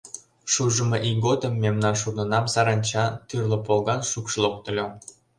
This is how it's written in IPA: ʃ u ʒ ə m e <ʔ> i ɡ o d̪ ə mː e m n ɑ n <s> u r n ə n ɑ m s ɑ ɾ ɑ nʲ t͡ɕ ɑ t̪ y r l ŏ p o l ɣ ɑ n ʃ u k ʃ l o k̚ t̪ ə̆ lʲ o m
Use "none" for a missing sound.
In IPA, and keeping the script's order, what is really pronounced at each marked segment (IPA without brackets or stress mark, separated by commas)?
ʔ, ʃ